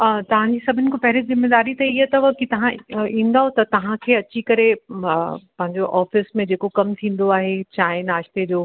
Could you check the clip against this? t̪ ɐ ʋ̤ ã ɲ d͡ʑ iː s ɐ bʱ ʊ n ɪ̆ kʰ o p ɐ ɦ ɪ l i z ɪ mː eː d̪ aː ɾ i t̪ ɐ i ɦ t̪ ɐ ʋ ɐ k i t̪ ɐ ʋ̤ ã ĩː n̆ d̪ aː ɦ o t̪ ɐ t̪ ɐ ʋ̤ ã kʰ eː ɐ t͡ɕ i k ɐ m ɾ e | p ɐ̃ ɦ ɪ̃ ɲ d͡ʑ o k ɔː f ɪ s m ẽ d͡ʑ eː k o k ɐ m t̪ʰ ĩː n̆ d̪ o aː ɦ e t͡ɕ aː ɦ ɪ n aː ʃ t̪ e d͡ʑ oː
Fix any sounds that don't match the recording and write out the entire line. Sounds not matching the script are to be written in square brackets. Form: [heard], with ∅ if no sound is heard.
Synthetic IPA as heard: t̪ ɐ ʋ̤ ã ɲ d͡ʑ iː s ɐ bʱ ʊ n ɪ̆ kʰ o p ɐ ɦ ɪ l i z ɪ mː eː d̪ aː ɾ i t̪ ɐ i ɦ t̪ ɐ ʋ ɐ k i t̪ ɐ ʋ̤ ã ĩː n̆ d̪ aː ɦ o t̪ ɐ t̪ ɐ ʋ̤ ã kʰ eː ɐ t͡ɕ i k ɐ [∅] ɾ e | p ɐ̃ ɦ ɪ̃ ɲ d͡ʑ o [ʔ] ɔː f ɪ s m ẽ d͡ʑ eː k o k ɐ m t̪ʰ ĩː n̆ d̪ o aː ɦ e t͡ɕ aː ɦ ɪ n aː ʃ t̪ e d͡ʑ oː